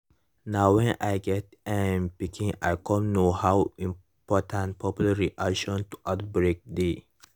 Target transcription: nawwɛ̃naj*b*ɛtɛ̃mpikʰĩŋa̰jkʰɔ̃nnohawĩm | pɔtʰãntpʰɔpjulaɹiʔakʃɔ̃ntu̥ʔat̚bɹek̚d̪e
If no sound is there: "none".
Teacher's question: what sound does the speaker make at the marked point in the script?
ɡ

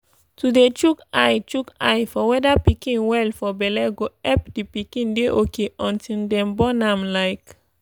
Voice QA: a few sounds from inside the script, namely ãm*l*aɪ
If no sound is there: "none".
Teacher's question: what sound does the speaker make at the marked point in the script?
l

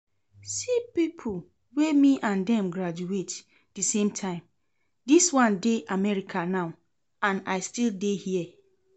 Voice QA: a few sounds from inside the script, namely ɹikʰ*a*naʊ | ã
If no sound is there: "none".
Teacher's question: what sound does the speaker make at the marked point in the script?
a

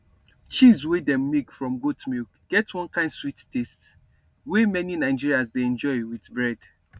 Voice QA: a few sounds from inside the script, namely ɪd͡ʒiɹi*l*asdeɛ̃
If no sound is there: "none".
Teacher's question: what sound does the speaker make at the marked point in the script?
none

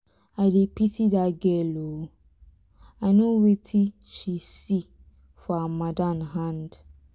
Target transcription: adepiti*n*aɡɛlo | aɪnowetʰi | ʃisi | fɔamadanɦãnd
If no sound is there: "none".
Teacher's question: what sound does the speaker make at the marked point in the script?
d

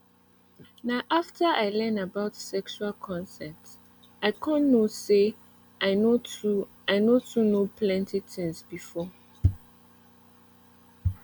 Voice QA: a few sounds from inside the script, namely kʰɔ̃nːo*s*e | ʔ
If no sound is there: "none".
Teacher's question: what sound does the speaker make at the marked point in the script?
s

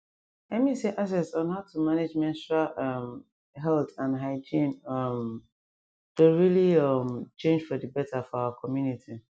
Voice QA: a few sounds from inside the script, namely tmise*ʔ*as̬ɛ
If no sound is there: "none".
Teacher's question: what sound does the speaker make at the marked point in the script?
ʔ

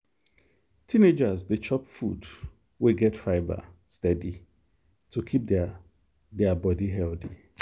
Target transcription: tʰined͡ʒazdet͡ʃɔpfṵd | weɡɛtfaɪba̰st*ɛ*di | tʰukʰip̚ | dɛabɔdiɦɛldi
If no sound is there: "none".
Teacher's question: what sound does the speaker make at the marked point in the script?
ɛ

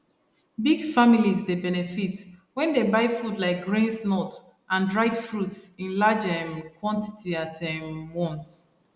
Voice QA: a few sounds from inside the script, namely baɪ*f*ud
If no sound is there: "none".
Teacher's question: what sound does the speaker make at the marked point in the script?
f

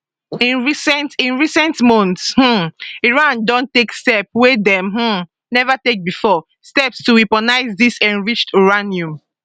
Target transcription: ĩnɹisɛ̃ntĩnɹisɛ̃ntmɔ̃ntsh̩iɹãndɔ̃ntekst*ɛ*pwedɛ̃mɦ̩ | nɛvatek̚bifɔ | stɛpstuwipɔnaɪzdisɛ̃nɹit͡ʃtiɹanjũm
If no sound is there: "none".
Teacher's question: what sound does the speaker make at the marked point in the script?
ɛ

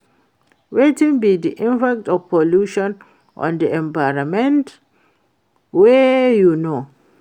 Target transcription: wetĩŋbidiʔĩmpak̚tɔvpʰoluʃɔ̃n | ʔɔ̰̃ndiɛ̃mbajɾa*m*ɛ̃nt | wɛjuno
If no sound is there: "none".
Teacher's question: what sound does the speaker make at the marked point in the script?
m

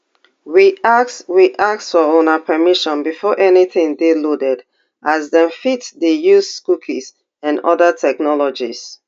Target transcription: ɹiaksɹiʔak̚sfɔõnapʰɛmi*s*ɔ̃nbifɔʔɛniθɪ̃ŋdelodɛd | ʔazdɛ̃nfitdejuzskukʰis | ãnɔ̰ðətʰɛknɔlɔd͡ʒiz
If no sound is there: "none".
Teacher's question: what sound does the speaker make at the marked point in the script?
ʃ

